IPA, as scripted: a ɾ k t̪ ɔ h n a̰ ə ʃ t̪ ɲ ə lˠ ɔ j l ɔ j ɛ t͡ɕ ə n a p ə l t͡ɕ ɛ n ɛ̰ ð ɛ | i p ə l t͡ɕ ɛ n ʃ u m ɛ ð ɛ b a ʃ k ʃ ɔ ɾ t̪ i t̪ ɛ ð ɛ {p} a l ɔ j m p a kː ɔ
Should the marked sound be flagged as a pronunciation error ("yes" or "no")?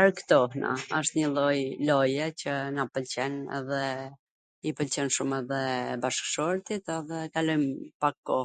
yes